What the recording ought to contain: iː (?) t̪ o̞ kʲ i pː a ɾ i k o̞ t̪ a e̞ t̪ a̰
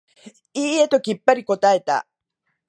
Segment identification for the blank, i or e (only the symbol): e